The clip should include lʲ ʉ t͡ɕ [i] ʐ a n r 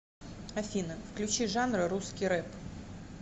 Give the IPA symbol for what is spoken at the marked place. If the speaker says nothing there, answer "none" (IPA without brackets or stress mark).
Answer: i